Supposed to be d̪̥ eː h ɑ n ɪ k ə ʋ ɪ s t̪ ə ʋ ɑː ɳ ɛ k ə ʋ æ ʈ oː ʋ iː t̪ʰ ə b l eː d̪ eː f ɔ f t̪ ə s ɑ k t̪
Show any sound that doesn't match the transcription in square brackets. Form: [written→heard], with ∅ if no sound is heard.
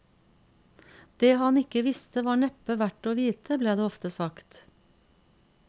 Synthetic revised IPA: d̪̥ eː h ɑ n ɪ k ə ʋ ɪ s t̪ ə ʋ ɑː ɳ ɛ [k→p] ə ʋ æ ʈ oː ʋ iː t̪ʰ ə b l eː d̪ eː [f→∅] ɔ f t̪ ə s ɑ k t̪